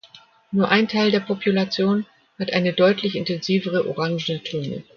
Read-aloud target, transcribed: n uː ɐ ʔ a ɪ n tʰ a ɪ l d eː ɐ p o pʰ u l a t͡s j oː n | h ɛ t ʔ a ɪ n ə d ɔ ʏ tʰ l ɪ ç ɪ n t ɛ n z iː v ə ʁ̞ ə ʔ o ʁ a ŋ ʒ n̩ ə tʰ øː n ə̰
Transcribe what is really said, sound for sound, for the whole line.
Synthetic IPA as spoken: n uː ɐ ʔ a ɪ n tʰ a ɪ l d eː ɐ p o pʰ u l a t͡s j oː n | h a t ʔ a ɪ n ə d ɔ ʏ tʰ l ɪ ç ɪ n t ɛ n z iː v ə ʁ̞ ə ʔ o ʁ a ŋ ʒ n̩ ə tʰ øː n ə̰